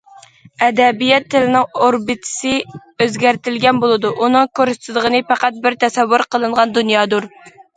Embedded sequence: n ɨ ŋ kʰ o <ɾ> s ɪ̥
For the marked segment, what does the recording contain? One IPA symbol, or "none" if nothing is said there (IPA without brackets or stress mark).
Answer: ɾ